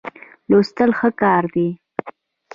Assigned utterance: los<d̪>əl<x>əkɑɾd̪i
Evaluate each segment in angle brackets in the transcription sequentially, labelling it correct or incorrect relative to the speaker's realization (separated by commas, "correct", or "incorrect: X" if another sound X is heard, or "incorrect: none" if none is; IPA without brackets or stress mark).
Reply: incorrect: t̪, correct